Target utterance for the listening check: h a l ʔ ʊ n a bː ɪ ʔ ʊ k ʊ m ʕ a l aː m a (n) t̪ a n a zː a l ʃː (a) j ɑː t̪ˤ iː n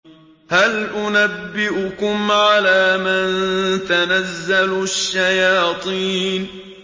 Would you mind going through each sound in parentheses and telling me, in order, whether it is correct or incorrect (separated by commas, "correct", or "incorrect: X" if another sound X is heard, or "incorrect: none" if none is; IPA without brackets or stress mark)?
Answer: correct, correct